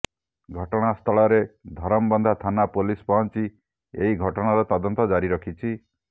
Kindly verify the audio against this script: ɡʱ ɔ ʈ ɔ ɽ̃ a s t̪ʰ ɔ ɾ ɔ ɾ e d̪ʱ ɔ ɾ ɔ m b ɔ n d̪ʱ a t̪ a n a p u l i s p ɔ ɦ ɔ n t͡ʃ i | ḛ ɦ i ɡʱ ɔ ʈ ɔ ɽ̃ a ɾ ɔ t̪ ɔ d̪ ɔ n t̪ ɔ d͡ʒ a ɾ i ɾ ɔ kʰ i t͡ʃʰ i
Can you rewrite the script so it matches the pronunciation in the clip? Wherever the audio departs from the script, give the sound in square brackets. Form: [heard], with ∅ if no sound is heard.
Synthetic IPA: ɡʱ ɔ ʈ ɔ ɽ̃ a s t̪ʰ ɔ [ɭ] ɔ ɾ e d̪ʱ ɔ ɾ ɔ m b ɔ n d̪ʱ a [t̪ʰ] a n a p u l i s p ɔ ɦ ɔ n t͡ʃ i | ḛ ɦ i ɡʱ ɔ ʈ ɔ ɽ̃ a ɾ ɔ t̪ ɔ d̪ ɔ n t̪ ɔ d͡ʒ a ɾ i ɾ ɔ kʰ i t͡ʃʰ i

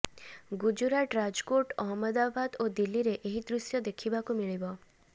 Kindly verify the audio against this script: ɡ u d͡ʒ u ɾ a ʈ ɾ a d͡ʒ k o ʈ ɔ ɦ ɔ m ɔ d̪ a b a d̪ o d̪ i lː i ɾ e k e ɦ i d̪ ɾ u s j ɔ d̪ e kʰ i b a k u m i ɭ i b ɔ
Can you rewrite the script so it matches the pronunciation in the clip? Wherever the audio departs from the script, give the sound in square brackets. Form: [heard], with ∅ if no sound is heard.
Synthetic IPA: ɡ u d͡ʒ u ɾ a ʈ ɾ a d͡ʒ k o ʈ ɔ ɦ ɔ m ɔ d̪ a b a d̪ o d̪ i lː i ɾ e [ʔ] e ɦ i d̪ ɾ u s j ɔ d̪ e kʰ i b a k u m i ɭ i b ɔ

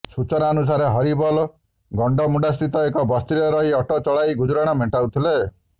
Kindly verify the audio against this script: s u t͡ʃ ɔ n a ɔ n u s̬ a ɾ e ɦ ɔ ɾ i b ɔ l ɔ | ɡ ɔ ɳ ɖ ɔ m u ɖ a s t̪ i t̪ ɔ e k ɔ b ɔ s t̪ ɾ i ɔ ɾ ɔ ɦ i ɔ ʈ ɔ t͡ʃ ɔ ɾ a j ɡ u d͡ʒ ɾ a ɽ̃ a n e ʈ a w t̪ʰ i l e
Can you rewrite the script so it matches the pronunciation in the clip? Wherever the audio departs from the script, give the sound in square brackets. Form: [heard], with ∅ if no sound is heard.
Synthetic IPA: s u t͡ʃ ɔ n a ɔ n u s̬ a ɾ e ɦ ɔ ɾ i b ɔ l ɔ | ɡ ɔ ɳ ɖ ɔ m u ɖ a s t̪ i t̪ ɔ e k ɔ b ɔ s t̪ ɾ i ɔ ɾ ɔ ɦ i ɔ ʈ ɔ t͡ʃ ɔ [ɭ] a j ɡ u d͡ʒ ɾ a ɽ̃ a [m] e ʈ a w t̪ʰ i l e

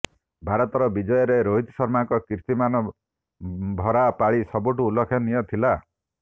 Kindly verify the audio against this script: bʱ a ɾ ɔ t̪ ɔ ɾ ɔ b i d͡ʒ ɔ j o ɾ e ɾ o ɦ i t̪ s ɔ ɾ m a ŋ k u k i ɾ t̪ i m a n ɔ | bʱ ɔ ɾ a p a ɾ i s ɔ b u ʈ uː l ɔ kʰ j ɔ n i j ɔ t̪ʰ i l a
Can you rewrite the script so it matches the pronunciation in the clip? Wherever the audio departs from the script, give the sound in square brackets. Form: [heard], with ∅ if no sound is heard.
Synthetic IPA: bʱ a ɾ ɔ t̪ ɔ ɾ ɔ b i d͡ʒ ɔ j [ɔ] ɾ e ɾ o ɦ i t̪ s ɔ ɾ m a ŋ k [ɔ] k i ɾ t̪ i m a n ɔ | bʱ ɔ ɾ a p a [ɭ] i s ɔ b u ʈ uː l ɔ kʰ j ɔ n i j ɔ t̪ʰ i l a

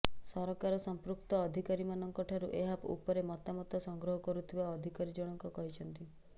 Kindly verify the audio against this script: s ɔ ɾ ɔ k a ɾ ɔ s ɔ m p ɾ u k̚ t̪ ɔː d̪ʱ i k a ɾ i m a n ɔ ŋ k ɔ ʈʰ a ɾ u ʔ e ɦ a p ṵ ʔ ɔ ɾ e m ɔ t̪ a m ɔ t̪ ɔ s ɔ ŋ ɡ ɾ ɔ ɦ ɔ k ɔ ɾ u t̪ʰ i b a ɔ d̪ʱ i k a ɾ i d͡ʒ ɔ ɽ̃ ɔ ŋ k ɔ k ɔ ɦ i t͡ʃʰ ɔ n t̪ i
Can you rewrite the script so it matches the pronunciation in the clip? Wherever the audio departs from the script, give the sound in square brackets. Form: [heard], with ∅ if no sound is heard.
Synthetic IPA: s ɔ ɾ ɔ k a ɾ ɔ s ɔ m p ɾ u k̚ t̪ ɔː d̪ʱ i k a ɾ i m a n ɔ ŋ k ɔ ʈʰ a ɾ u ʔ e ɦ a p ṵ [p] ɔ ɾ e m ɔ t̪ a m ɔ t̪ ɔ s ɔ ŋ ɡ ɾ ɔ ɦ ɔ k ɔ ɾ u t̪ʰ i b a ɔ d̪ʱ i k a ɾ i d͡ʒ ɔ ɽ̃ ɔ ŋ k ɔ k ɔ ɦ i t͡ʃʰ ɔ n t̪ i

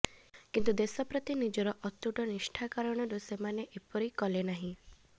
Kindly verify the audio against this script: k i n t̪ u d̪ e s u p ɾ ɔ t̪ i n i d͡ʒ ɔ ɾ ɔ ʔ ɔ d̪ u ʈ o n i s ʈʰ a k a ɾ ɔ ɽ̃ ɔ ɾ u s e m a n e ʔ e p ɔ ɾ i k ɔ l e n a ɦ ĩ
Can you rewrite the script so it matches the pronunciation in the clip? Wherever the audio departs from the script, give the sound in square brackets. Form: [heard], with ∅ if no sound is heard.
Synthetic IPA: k i n t̪ u d̪ e s [ɔ] p ɾ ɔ t̪ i n i d͡ʒ ɔ ɾ ɔ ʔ ɔ [t̪] u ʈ [ɔ] n i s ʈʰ a k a ɾ ɔ ɽ̃ ɔ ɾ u s e m a n e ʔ e p ɔ ɾ i k ɔ l e n a ɦ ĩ

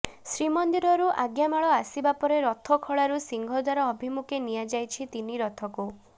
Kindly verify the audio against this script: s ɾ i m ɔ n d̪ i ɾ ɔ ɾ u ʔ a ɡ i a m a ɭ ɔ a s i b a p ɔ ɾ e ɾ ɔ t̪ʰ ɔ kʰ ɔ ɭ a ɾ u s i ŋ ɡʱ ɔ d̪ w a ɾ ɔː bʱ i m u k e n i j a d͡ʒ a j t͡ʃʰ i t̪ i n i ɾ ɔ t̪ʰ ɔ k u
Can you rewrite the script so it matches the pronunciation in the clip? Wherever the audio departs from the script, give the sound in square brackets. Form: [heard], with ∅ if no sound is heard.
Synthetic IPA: s ɾ i m ɔ n d̪ i ɾ ɔ ɾ u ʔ a ɡ [j] a m a ɭ ɔ a s i b a p ɔ ɾ e ɾ ɔ t̪ʰ ɔ kʰ ɔ ɭ a ɾ u s i ŋ ɡʱ ɔ d̪ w a ɾ ɔː bʱ i m u k e n i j a d͡ʒ a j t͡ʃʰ i t̪ i n i ɾ ɔ t̪ʰ ɔ k u

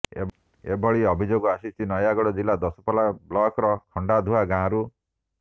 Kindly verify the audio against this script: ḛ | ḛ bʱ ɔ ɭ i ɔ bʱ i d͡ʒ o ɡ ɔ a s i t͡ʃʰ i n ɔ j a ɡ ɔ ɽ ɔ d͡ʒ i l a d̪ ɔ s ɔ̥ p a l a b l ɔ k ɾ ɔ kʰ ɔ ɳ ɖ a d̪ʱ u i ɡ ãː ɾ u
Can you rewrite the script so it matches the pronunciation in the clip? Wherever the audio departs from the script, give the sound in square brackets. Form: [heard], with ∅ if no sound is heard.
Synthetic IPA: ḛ | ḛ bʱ ɔ ɭ i ɔ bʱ i d͡ʒ o ɡ ɔ a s i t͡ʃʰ i n ɔ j a ɡ ɔ ɽ ɔ d͡ʒ i l a d̪ ɔ s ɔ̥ p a l a b l ɔ k ɾ ɔ kʰ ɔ ɳ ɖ a d̪ʱ u [a] ɡ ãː ɾ u

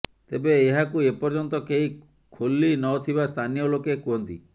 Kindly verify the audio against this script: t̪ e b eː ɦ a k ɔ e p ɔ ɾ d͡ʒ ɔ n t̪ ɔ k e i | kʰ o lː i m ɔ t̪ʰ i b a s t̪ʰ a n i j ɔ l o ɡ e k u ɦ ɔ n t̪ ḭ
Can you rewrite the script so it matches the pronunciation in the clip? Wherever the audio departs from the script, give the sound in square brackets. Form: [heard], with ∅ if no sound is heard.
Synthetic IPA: t̪ e b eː ɦ a k [u] e p ɔ ɾ d͡ʒ ɔ n t̪ ɔ k e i | kʰ o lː i [n] ɔ t̪ʰ i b a s t̪ʰ a n i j ɔ l o [k] e k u ɦ ɔ n t̪ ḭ

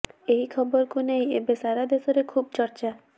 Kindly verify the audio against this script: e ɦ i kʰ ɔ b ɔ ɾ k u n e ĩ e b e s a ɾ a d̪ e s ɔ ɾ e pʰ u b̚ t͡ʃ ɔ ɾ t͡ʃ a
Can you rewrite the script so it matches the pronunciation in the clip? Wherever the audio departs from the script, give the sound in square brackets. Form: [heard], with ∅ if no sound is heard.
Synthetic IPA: e ɦ i kʰ ɔ b ɔ ɾ k u n e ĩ e b e s a ɾ a d̪ e s ɔ ɾ e [kʰ] u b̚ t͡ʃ ɔ ɾ t͡ʃ a

